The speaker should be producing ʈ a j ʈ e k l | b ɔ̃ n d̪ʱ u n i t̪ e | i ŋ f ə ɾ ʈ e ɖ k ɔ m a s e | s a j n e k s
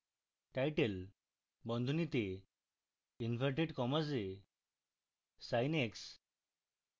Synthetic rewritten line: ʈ a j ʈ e l | b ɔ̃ n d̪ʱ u n i t̪ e | i n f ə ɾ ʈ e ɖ k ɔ m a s e | s a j n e k s